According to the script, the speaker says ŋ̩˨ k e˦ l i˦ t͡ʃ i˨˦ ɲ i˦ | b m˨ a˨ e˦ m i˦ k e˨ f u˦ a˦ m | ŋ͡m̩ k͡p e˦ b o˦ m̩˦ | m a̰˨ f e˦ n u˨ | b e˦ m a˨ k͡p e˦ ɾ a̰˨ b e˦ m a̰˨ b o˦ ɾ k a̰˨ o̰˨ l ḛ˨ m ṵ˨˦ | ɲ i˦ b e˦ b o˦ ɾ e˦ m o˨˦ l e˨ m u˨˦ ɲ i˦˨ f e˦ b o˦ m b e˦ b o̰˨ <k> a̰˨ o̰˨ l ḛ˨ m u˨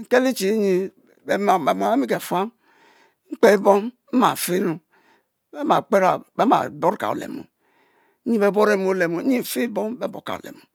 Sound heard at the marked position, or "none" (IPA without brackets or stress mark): k